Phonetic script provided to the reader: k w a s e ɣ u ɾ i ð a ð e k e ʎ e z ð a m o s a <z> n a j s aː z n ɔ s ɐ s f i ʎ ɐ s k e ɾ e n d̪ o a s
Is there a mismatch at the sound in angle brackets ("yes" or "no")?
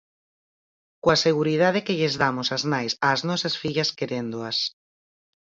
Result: no